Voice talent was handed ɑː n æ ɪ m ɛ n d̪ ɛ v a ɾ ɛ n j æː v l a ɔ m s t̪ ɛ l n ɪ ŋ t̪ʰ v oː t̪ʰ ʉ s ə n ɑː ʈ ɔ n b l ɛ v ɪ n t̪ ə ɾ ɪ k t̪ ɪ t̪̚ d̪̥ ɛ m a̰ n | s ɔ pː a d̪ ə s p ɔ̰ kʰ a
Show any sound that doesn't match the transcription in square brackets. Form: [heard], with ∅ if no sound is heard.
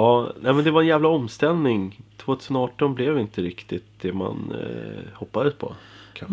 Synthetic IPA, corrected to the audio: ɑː n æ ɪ m ɛ n d̪ ɛ v a ɾ ɛ n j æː v l a ɔ m s t̪ ɛ l n ɪ ŋ t̪ʰ v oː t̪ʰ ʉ s ə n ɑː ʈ ɔ n b l ɛ v ɪ n t̪ ə ɾ ɪ k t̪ ɪ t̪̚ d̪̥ ɛ m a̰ n | [h] ɔ pː a d̪ ə s [pʰ] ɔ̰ kʰ a